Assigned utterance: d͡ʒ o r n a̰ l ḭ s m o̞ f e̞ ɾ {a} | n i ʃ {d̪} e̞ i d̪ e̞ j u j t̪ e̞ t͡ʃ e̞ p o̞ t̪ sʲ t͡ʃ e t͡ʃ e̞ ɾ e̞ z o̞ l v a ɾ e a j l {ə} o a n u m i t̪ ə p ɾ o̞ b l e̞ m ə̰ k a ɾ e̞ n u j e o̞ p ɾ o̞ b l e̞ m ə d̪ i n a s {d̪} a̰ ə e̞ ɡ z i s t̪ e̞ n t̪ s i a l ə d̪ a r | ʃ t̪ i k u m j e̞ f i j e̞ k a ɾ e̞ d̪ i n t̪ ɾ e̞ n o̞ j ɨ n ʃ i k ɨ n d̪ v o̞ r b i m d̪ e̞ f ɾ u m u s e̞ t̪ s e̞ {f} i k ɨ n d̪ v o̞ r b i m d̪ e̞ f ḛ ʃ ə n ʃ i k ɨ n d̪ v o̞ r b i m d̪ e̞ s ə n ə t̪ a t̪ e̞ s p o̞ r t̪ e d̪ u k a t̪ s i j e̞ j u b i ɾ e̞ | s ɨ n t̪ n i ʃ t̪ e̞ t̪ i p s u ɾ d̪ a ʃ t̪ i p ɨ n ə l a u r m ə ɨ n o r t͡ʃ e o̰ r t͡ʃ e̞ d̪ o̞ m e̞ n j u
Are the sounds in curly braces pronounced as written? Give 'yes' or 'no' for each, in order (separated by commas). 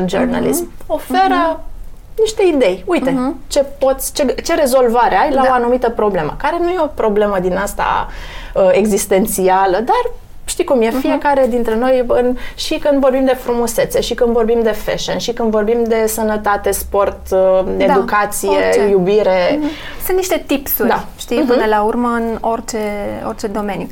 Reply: no, no, no, no, no